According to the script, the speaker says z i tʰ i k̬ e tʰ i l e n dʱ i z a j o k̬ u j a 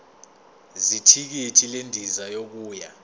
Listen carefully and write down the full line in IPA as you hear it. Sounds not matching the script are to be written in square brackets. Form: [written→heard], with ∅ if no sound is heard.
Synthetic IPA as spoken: z i tʰ i k̬ [e→i] tʰ i l e n dʱ i z a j o k̬ [u→uː] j a